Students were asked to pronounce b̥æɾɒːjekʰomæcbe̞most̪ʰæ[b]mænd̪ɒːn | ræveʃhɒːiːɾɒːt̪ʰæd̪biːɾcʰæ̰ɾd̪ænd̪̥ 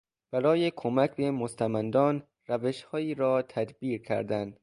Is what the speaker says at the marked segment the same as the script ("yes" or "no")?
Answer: no